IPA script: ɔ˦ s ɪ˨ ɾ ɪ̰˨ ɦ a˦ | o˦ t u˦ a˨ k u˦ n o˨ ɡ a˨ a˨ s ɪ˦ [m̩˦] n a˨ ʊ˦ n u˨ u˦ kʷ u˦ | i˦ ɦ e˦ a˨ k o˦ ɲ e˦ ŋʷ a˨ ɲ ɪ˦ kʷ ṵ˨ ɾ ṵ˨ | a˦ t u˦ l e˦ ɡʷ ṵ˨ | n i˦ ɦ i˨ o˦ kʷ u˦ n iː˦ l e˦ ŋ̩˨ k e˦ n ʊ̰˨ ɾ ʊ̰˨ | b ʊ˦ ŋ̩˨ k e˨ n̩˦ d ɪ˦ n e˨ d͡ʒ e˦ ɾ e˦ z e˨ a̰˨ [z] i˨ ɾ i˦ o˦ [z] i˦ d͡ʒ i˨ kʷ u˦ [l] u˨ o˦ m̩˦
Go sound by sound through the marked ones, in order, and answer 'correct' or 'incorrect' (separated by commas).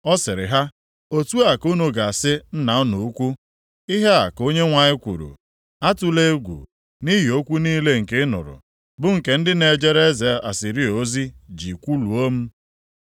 incorrect, incorrect, correct, correct